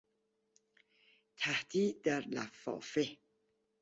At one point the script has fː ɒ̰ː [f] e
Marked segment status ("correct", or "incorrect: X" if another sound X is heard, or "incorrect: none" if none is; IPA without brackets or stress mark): correct